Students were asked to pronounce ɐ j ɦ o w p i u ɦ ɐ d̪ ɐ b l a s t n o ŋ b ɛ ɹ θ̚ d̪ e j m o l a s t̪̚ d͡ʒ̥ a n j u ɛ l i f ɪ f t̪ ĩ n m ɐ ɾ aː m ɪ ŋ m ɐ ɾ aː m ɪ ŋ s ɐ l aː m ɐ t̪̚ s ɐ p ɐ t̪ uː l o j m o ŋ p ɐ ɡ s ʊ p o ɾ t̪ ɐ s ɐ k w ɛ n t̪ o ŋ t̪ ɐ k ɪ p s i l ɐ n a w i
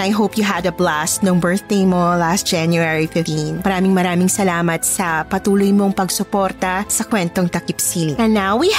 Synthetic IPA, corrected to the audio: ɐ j ɦ o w p j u ɦ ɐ d̪ ɐ b l a s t n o ŋ b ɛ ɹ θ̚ d̪ e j m o l a s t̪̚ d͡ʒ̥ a n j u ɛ ɹ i f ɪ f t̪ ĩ n m ɐ ɾ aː m ɪ ŋ m ɐ ɾ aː m ɪ ŋ s ɐ l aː m ɐ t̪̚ s ɐ p ɐ t̪ uː l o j m o ŋ p ɐ ɡ s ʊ p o ɾ t̪ ɐ s ɐ k w ɛ n t̪ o ŋ t̪ ɐ k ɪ p s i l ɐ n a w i